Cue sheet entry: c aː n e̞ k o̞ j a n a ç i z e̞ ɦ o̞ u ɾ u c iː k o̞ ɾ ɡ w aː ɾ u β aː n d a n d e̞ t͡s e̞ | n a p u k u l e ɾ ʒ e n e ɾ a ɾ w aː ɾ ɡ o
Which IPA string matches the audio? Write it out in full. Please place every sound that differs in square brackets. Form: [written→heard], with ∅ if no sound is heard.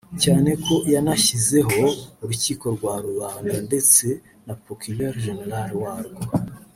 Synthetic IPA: c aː n e̞ k o̞ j a n a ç i z e̞ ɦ o̞ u ɾ u c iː k o̞ ɾ ɡ w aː ɾ u β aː n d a n d e̞ t͡s e̞ | n a p [u→o] k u l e ɾ ʒ e n e ɾ a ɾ w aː ɾ ɡ o